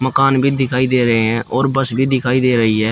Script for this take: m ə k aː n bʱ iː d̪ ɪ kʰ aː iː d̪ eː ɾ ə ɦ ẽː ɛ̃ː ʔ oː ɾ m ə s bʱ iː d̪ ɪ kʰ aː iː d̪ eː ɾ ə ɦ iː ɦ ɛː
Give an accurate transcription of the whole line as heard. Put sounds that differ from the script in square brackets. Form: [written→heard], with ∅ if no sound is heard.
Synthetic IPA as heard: m ə k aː n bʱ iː d̪ ɪ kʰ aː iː d̪ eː ɾ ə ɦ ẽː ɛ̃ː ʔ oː ɾ [m→b] ə s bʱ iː d̪ ɪ kʰ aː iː d̪ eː ɾ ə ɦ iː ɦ ɛː